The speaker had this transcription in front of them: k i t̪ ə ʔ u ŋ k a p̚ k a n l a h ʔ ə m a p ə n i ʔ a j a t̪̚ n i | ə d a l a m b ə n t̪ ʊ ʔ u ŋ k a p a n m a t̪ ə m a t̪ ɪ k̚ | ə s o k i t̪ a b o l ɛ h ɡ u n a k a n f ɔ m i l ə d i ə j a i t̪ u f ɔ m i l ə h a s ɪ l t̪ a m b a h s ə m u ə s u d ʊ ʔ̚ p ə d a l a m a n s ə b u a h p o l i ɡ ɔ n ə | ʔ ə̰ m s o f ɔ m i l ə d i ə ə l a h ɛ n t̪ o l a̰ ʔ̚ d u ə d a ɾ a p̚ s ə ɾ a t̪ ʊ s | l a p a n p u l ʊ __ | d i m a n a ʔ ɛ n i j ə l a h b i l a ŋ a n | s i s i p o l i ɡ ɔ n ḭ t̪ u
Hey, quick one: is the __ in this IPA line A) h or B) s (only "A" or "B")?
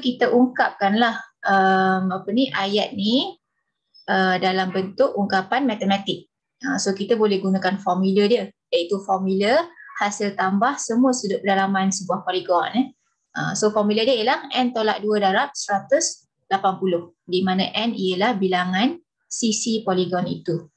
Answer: A